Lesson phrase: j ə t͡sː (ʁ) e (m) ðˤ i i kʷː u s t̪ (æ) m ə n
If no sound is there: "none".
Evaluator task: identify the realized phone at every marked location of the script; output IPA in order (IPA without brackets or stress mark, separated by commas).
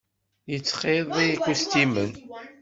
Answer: χ, none, i